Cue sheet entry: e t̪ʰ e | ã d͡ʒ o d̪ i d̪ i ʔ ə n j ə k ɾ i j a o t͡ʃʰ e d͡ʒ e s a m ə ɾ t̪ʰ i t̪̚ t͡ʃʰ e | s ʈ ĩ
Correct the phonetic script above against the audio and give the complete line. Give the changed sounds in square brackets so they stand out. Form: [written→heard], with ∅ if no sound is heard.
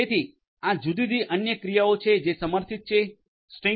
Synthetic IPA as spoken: e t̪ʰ [e→i] | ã d͡ʒ [o→u] d̪ i d̪ i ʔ ə n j ə k ɾ i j a o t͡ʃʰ e d͡ʒ e s [a→ə] m ə ɾ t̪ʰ i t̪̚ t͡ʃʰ e | s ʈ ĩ